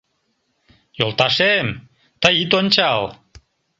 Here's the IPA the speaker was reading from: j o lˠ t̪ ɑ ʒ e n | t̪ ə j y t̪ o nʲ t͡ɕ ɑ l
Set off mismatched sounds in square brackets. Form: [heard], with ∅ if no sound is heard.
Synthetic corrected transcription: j o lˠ t̪ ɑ [ʃ] e [m] | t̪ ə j [i] t̪ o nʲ t͡ɕ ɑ l